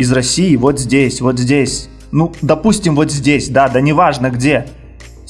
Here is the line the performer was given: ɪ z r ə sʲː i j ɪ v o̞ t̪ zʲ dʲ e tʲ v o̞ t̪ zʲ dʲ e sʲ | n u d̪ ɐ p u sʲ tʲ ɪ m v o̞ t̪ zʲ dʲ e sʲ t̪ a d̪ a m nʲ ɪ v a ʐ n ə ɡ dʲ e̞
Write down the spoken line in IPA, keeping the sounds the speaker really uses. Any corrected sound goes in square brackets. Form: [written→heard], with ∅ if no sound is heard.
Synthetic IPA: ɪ z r [ə→ɐ] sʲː i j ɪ v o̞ t̪ zʲ dʲ e [tʲ→sʲ] v o̞ t̪ zʲ dʲ e sʲ | n u d̪ ɐ p u sʲ tʲ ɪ m v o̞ t̪ zʲ dʲ e sʲ [t̪→d̪] a d̪ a [m→∅] nʲ ɪ v a ʐ n ə ɡ dʲ e̞